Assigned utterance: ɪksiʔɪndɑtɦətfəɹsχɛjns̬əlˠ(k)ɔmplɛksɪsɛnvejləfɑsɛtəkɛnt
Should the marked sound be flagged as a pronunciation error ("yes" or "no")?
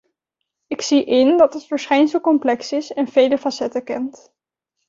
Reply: no